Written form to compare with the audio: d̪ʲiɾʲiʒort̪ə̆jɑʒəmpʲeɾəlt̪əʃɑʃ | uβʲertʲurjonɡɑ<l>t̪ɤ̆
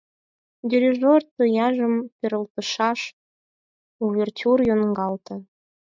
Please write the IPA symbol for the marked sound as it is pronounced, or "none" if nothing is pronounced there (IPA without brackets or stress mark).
l